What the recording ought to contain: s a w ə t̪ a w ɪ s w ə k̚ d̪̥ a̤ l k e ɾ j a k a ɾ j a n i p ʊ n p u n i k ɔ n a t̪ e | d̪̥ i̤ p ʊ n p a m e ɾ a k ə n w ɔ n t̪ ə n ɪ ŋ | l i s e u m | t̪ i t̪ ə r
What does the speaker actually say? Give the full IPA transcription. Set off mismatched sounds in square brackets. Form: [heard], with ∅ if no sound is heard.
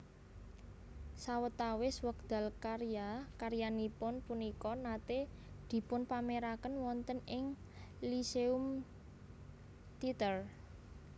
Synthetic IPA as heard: s a w ə t̪ a w ɪ s w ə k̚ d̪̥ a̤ l k [a] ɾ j a k a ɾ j a n i p ʊ n p u n i k ɔ n a t̪ e | d̪̥ i̤ p ʊ n p a m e ɾ a k ə n w ɔ n t̪ ə n ɪ ŋ | l i s e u m | t̪ i t̪ ə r